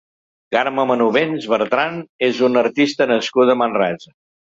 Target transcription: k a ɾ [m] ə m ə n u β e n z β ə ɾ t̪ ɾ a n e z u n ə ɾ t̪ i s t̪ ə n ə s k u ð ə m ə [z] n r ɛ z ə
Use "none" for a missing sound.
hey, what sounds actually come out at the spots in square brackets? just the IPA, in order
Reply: m, none

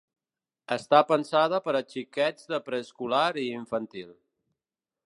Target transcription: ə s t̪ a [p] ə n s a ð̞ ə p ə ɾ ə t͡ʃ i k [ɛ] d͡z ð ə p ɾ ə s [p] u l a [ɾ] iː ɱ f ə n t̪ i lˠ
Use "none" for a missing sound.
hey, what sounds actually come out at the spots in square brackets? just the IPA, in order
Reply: p, ɛ, k, ɾ

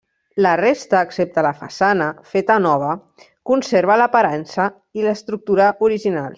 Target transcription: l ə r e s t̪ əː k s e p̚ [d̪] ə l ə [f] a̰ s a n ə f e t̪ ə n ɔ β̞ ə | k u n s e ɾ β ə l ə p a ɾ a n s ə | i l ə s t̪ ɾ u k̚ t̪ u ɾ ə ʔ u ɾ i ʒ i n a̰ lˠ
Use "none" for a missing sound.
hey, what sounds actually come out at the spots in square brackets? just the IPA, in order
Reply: t̪, f

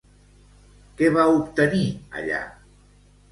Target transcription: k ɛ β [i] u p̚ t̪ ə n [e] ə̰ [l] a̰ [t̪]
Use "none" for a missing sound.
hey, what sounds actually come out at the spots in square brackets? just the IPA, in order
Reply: a, i, ʎ, none

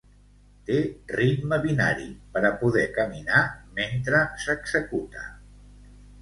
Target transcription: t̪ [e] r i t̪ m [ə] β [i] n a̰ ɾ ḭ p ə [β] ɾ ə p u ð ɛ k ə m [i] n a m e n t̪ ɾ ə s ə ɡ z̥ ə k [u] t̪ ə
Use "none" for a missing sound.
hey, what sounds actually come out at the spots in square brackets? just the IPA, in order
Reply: e, ə, i, none, i, u

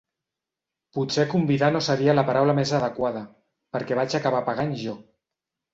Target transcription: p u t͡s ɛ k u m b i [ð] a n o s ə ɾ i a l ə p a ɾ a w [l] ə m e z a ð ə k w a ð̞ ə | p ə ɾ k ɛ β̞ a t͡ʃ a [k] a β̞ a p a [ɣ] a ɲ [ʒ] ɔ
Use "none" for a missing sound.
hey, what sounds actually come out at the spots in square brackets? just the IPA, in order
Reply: ð, l, k, ɣ, ʒ

